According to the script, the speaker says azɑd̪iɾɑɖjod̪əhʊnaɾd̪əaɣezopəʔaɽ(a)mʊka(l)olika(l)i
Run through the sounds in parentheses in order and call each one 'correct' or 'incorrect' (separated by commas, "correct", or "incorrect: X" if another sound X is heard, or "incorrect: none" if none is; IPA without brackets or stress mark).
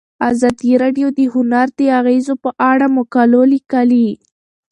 correct, correct, correct